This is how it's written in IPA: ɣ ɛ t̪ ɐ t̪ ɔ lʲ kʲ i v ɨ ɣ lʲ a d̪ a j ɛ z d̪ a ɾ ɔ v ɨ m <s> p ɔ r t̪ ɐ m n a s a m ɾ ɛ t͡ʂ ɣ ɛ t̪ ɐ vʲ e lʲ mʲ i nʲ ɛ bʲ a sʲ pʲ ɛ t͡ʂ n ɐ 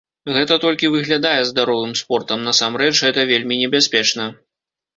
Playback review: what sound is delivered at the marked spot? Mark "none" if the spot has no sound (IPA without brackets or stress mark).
s